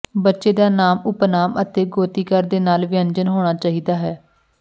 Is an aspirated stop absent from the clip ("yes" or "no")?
yes